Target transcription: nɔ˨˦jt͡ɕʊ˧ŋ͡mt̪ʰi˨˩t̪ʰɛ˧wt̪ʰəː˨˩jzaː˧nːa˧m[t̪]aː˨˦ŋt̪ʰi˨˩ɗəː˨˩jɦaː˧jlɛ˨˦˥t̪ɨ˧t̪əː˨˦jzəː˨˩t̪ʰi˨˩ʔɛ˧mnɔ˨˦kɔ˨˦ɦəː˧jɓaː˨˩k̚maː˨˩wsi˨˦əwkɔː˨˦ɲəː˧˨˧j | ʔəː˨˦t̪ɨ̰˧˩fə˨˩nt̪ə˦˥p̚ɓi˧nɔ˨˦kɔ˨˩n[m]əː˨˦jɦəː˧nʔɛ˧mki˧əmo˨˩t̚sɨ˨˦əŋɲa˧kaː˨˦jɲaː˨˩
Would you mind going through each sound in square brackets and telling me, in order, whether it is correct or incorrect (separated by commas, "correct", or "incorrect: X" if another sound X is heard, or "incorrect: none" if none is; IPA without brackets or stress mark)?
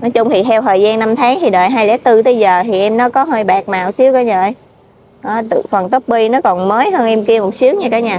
incorrect: t̪ʰ, correct